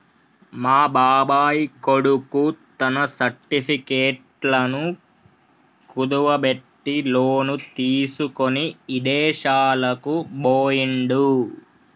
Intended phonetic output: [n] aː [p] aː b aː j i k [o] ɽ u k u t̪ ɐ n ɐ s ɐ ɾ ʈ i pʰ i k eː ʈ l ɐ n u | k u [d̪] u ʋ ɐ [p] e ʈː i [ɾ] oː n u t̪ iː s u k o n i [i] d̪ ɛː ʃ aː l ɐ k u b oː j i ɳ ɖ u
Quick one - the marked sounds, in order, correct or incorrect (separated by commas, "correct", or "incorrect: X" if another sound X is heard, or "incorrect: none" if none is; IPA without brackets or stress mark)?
incorrect: m, incorrect: b, correct, correct, incorrect: b, incorrect: l, correct